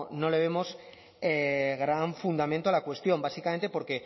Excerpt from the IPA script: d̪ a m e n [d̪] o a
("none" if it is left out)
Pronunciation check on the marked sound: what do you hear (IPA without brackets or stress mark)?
t̪